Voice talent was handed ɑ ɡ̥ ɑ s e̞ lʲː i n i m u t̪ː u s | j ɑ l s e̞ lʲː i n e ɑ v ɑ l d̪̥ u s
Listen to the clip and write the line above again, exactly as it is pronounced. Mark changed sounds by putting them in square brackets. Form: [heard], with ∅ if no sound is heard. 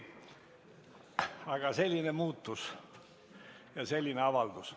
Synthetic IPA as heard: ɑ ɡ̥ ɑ s e̞ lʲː i n [e] m [uː] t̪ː u s | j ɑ [∅] s e̞ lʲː i n e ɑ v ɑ l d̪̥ u s